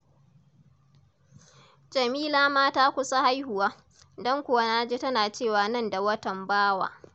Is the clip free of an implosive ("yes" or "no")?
yes